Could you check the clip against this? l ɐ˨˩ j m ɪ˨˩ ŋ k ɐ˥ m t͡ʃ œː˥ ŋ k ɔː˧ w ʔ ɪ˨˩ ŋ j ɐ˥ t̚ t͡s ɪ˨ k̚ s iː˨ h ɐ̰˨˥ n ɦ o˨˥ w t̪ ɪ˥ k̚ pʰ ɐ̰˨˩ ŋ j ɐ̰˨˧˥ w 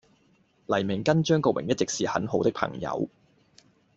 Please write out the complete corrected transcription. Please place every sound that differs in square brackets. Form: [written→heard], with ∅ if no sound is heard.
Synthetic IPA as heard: l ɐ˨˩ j m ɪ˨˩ ŋ k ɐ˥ [m→n] t͡ʃ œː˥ ŋ k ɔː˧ w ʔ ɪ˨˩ ŋ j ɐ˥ t̚ t͡s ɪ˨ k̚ s iː˨ h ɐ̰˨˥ n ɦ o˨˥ w t̪ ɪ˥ k̚ pʰ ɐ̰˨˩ ŋ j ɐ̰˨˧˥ w